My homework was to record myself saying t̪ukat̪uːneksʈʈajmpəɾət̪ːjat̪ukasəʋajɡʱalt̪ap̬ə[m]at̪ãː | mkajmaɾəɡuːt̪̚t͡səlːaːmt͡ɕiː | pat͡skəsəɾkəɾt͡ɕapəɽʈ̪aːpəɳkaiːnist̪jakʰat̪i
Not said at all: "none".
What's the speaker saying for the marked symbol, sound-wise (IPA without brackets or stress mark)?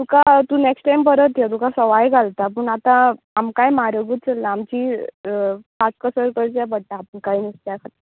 ɳ